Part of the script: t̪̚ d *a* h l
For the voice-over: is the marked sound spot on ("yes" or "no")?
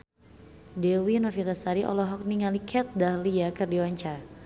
yes